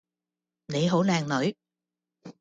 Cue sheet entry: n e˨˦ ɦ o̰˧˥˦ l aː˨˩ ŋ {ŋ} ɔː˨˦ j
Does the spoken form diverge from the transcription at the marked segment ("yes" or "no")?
yes